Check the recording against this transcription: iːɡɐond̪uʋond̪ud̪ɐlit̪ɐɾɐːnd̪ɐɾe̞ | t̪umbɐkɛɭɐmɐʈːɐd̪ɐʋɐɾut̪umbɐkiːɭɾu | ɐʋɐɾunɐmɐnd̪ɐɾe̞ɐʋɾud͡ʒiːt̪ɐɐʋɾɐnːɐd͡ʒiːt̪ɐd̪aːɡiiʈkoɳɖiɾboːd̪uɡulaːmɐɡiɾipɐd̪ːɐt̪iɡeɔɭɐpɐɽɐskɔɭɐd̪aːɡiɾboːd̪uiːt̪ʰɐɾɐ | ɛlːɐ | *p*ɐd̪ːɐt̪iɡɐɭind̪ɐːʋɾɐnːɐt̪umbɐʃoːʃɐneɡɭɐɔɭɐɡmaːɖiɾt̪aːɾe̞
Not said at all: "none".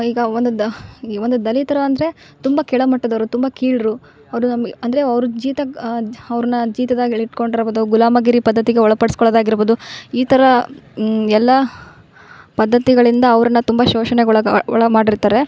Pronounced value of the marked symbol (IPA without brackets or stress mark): p